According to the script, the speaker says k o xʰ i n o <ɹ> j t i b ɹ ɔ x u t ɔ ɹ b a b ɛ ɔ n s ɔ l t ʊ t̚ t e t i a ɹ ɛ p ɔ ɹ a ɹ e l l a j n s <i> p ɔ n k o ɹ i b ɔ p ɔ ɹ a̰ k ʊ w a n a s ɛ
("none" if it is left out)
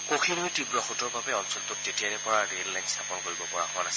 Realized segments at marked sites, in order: none, a

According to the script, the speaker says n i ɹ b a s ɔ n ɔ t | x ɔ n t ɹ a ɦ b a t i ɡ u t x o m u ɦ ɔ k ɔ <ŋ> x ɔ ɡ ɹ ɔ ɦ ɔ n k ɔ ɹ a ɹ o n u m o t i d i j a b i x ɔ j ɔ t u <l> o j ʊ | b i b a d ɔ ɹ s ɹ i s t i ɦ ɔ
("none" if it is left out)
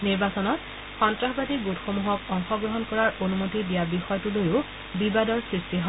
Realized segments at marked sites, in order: ŋ, l

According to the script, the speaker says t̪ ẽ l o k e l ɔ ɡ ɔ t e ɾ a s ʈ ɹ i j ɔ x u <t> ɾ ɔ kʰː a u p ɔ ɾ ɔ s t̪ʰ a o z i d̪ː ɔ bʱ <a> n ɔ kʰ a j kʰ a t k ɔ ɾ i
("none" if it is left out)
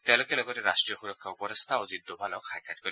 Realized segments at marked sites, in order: none, a

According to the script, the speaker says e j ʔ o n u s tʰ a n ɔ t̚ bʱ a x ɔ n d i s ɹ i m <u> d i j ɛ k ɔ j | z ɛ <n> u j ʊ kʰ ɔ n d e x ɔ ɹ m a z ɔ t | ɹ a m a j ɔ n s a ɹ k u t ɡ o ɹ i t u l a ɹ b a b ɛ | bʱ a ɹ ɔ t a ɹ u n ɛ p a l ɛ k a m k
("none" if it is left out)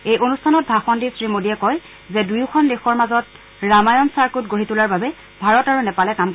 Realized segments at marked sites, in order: o, d

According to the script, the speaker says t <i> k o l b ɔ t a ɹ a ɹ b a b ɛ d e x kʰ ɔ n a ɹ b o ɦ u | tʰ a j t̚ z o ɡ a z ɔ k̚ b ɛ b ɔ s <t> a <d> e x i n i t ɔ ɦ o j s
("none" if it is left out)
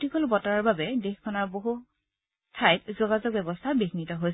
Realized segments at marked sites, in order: i, tʰ, b

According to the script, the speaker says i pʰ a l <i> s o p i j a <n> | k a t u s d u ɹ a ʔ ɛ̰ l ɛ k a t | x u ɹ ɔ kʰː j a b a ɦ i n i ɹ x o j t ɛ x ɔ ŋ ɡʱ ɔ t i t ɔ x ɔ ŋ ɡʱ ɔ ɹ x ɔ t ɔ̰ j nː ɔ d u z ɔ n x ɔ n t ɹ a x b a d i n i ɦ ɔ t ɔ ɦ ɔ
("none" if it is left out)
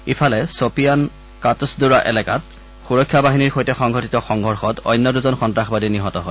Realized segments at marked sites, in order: ɛ, n

